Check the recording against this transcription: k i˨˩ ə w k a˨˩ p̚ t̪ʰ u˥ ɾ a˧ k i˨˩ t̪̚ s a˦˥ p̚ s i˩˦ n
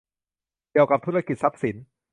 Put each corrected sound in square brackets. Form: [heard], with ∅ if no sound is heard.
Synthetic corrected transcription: k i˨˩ ə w k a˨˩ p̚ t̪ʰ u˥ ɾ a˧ k i˨˩ t̪̚ s a˦˥ p̚ s i˩˦ n